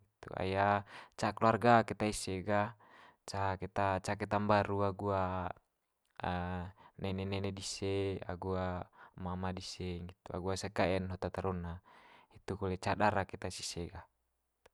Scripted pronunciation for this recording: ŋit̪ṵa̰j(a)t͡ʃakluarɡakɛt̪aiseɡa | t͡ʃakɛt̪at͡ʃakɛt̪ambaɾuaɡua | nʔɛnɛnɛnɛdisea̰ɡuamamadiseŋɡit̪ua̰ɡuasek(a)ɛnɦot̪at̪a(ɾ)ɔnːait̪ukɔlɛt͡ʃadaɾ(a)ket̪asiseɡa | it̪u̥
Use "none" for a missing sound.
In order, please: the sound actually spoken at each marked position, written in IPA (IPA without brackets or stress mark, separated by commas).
a, a, ɾ, a